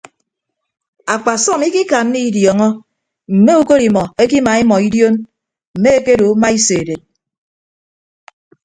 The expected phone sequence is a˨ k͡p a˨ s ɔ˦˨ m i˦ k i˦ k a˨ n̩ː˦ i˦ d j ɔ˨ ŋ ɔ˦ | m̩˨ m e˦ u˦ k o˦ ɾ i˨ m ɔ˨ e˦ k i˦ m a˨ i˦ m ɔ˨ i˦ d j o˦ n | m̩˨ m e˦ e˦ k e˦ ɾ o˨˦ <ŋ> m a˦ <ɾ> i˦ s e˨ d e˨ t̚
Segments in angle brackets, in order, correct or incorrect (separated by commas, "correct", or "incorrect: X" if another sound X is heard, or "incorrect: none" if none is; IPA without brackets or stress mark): incorrect: none, incorrect: none